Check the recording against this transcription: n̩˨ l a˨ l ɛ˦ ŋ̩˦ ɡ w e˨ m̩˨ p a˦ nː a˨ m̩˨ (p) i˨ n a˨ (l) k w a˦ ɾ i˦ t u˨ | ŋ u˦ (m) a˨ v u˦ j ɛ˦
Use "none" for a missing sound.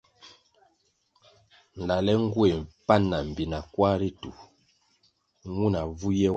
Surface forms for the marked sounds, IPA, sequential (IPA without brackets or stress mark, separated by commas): b, none, n